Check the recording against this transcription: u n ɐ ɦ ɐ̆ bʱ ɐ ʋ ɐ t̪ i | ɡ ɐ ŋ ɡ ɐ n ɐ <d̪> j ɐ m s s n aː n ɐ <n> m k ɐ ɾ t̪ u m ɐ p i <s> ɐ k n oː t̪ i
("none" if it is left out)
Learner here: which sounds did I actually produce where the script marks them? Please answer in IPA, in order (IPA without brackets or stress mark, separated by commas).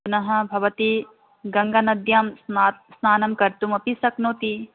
d̪, none, s